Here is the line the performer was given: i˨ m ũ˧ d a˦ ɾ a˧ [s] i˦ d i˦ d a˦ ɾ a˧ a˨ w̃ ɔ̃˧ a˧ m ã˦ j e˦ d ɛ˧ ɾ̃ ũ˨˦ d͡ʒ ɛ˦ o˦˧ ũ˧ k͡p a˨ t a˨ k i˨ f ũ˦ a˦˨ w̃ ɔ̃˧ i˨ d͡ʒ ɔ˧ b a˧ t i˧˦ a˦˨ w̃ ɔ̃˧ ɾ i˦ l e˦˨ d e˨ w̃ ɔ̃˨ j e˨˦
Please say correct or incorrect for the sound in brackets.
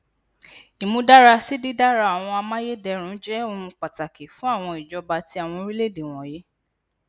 correct